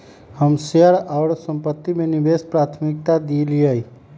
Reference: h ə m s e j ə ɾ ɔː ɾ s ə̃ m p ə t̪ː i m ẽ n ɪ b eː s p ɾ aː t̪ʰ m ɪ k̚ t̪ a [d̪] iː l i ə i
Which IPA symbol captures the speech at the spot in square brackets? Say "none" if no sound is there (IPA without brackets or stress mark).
d̪